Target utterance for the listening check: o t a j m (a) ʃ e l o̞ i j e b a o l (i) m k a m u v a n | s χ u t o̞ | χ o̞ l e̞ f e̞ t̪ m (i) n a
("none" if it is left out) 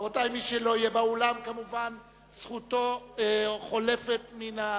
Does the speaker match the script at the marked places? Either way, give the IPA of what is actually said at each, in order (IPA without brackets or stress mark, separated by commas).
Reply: i, a, i